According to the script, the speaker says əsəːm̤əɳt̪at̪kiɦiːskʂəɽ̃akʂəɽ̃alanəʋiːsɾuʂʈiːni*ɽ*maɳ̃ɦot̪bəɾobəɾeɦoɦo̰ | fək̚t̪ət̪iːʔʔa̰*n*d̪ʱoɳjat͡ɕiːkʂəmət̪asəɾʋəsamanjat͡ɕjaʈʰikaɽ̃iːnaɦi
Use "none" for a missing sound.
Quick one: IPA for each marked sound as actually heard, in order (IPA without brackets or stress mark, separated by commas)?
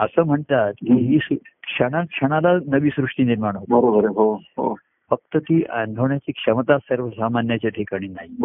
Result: ɾ, n